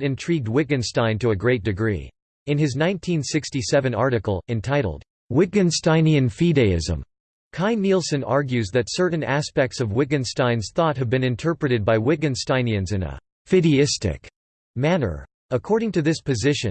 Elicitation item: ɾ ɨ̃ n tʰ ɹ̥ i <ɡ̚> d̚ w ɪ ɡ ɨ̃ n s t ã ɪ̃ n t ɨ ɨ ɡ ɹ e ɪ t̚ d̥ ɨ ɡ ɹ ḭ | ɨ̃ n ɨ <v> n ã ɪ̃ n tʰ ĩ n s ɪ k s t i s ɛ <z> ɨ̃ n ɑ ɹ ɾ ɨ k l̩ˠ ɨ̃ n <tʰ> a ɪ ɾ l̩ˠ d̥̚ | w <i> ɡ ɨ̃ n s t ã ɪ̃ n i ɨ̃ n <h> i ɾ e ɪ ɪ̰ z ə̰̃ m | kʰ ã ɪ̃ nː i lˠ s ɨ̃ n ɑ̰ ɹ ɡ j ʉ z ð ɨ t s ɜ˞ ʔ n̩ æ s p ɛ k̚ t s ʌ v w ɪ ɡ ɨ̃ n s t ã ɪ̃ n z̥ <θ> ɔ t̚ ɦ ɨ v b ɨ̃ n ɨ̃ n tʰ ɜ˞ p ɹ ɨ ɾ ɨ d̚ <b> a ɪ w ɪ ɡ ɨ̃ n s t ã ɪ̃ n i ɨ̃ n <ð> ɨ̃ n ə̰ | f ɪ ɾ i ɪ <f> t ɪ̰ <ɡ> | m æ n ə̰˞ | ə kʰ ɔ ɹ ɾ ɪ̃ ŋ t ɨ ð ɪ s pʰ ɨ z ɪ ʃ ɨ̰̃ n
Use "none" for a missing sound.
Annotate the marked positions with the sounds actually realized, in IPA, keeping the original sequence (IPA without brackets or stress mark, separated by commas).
ɡ̚, z, v, tʰ, ɪ, f, θ, b, z, s, k